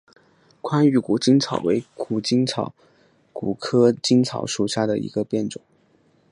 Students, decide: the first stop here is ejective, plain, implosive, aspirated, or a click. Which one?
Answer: aspirated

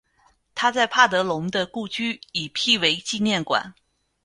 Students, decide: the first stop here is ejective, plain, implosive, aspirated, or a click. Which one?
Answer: aspirated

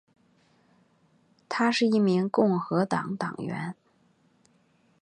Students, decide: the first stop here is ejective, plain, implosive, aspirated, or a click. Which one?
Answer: aspirated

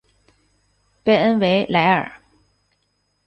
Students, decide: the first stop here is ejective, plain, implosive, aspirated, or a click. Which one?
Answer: plain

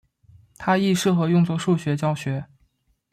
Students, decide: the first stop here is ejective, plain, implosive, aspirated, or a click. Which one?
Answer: aspirated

